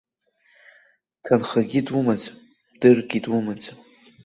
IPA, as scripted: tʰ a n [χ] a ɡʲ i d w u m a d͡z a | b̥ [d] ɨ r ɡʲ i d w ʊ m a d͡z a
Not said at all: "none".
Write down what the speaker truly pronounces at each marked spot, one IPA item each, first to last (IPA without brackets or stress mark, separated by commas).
χ, d